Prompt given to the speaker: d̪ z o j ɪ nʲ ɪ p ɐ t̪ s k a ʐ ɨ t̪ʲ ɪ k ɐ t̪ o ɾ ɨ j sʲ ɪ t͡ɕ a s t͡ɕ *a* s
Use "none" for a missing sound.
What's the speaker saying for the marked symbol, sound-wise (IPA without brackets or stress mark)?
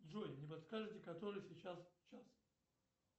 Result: a